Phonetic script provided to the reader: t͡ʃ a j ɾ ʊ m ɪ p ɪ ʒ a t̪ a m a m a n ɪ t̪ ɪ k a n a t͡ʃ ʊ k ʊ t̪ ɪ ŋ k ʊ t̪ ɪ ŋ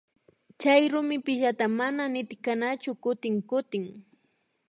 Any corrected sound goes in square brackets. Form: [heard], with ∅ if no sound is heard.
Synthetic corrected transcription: t͡ʃ a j ɾ ʊ m ɪ p ɪ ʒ a t̪ a m a [n] a n ɪ t̪ ɪ k a n a t͡ʃ ʊ k ʊ t̪ ɪ ŋ k ʊ t̪ ɪ ŋ

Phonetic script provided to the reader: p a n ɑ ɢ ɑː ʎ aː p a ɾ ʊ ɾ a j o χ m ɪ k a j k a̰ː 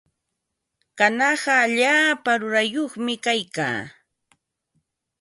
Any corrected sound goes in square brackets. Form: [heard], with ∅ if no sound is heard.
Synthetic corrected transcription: [k] a n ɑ ɢ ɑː ʎ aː p a ɾ ʊ ɾ a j o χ m ɪ k a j k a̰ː

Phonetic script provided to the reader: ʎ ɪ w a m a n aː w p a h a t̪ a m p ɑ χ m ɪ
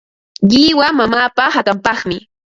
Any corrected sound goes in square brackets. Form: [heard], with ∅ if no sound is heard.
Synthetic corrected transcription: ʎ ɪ w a m a [m] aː [∅] p a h a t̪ a m p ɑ χ m ɪ

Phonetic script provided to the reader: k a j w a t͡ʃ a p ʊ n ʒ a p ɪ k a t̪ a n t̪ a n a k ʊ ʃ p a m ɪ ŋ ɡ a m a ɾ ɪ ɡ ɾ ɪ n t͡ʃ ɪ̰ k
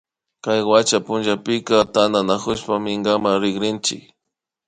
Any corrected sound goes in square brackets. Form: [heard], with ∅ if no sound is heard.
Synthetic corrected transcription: k a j w a t͡ʃ a p ʊ n ʒ a p ɪ k a t̪ a n [d̪] a n a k ʊ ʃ p a m ɪ ŋ ɡ a m a ɾ ɪ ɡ ɾ ɪ n t͡ʃ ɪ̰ k

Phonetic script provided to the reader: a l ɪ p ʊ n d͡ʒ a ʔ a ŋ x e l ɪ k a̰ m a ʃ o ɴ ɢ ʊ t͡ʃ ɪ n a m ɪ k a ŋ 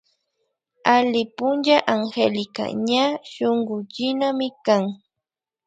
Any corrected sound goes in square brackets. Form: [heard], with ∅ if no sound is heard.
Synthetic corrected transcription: a l ɪ p ʊ n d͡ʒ a ʔ a ŋ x e l ɪ k a̰ [ɲ] a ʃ o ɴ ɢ ʊ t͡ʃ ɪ n a m ɪ k a ŋ

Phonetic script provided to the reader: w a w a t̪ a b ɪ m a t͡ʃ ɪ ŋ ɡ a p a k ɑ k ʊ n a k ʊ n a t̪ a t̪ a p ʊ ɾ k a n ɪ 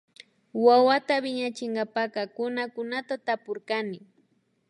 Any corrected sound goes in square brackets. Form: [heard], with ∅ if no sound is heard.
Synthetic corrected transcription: w a w a t̪ a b ɪ [ɲ] a t͡ʃ ɪ ŋ ɡ a p a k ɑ k ʊ n a k ʊ n a t̪ a t̪ a p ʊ ɾ k a n ɪ

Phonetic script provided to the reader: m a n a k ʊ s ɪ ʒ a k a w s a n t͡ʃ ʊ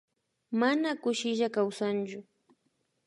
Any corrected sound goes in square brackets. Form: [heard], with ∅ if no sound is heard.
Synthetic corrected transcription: m a n a k ʊ [ʃ] ɪ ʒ a k a w s a n t͡ʃ ʊ

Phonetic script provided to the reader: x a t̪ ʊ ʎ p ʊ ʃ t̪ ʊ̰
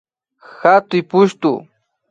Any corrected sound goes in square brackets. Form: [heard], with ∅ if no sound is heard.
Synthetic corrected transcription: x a t̪ ʊ [j] p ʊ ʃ t̪ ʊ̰

